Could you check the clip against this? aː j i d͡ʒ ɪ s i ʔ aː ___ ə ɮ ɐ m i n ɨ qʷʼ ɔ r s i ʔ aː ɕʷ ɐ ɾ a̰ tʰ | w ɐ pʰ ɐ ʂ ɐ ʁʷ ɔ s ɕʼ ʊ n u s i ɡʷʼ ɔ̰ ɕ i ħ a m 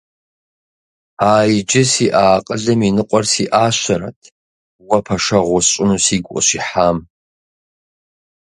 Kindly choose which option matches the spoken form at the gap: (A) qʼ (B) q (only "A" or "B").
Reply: A